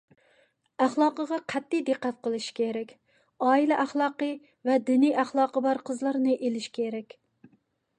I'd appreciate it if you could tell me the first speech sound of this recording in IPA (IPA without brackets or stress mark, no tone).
æ